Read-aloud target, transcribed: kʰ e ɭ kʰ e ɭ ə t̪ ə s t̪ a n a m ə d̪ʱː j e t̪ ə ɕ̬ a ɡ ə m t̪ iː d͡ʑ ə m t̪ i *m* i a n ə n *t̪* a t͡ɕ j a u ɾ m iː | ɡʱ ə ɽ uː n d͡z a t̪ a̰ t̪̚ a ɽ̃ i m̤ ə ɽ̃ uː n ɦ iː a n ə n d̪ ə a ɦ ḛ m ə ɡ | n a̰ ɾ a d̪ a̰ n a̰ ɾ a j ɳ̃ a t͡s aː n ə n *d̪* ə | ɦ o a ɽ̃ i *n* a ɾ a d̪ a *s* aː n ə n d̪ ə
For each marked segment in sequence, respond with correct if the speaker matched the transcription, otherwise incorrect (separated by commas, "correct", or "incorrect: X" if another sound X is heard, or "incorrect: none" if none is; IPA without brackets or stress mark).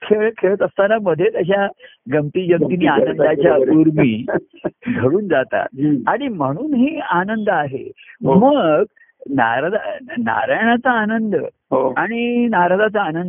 incorrect: n, incorrect: d̪, correct, correct, incorrect: t͡s